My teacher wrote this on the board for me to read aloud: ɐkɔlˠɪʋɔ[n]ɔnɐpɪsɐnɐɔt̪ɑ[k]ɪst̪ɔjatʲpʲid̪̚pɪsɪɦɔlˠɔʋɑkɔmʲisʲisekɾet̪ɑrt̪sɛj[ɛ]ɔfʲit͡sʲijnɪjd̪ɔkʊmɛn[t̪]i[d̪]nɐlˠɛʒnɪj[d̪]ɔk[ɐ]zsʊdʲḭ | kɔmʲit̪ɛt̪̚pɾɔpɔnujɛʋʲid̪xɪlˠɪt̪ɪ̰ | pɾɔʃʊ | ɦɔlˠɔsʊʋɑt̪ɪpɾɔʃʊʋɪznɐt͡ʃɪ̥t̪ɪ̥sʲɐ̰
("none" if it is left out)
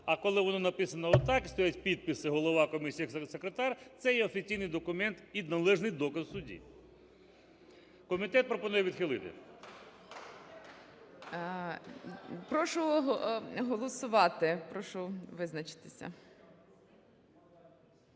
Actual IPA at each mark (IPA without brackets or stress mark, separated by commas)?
n, k, ɛ, t̪, d̪, d̪, ɐ